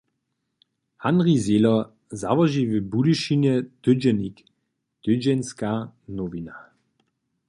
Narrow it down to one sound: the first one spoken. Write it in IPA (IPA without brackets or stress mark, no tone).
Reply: h